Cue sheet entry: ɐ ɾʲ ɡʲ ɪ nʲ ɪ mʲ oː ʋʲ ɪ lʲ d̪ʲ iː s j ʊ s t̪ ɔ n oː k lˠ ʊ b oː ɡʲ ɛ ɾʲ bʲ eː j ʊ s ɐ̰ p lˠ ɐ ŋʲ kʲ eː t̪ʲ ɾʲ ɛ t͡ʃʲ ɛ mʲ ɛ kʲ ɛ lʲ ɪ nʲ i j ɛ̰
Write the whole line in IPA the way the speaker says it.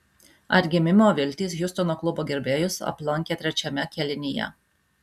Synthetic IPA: ɐ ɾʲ ɡʲ ɪ mʲ ɪ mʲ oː ʋʲ ɪ lʲ t̪ʲ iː s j ʊ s t̪ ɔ n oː k lˠ ʊ b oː ɡʲ ɛ ɾʲ bʲ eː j ʊ s ɐ̰ p lˠ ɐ ŋʲ kʲ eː t̪ʲ ɾʲ ɛ t͡ʃʲ ɛ mʲ ɛ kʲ ɛ lʲ ɪ nʲ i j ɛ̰